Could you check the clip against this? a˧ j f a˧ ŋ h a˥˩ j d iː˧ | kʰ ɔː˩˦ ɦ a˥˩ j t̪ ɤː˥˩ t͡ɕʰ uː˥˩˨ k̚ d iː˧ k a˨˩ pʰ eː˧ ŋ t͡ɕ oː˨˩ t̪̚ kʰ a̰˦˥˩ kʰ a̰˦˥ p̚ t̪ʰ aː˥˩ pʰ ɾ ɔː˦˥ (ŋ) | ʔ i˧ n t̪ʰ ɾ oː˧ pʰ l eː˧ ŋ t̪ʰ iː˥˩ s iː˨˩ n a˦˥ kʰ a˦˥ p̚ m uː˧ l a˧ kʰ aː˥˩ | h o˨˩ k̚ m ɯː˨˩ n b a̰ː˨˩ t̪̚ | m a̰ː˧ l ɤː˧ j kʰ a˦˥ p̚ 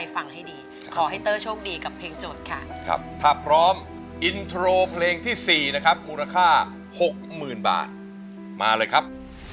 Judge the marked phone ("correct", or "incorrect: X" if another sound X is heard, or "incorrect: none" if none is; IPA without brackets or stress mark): incorrect: m